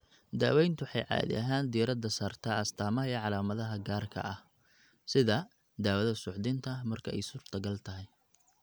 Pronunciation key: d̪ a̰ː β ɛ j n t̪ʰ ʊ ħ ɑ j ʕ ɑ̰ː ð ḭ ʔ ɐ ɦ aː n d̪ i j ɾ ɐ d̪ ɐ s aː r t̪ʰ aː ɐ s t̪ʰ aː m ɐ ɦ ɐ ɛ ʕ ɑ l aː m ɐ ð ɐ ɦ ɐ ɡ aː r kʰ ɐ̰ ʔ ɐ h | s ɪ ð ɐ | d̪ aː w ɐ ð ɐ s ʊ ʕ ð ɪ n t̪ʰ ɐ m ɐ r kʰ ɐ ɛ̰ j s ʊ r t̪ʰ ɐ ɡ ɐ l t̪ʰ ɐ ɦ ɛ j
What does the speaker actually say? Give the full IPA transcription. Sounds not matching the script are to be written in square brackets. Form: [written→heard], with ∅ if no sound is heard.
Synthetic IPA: d̪ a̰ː [β→w] ɛ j n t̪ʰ ʊ ħ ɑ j ʕ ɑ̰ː ð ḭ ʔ ɐ ɦ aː n d̪ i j ɾ ɐ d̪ ɐ s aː r t̪ʰ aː ɐ s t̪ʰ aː m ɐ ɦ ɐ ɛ ʕ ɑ l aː m ɐ ð ɐ ɦ ɐ ɡ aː r kʰ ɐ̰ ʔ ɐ h | s ɪ ð ɐ | d̪ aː w ɐ ð ɐ s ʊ ʕ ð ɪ n t̪ʰ ɐ m ɐ r kʰ ɐ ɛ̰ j s ʊ r t̪ʰ ɐ ɡ ɐ l t̪ʰ ɐ ɦ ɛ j